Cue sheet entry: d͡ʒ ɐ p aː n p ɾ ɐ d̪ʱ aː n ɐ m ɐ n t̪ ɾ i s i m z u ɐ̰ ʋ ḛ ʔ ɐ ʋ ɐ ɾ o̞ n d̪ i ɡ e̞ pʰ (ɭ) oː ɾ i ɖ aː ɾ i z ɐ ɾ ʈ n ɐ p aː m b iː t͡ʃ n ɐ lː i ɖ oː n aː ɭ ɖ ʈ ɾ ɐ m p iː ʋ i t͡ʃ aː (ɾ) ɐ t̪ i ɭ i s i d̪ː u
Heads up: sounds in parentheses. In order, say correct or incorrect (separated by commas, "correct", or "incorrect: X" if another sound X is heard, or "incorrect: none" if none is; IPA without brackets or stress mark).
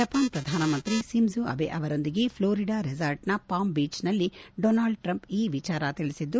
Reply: incorrect: l, correct